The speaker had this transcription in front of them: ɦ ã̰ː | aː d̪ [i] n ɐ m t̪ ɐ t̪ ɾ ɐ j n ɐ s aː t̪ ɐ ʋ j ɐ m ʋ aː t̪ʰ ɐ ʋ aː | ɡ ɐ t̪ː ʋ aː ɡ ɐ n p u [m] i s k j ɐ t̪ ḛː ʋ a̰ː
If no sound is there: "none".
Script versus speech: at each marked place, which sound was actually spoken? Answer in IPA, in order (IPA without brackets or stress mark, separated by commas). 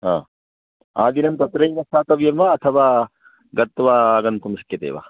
i, m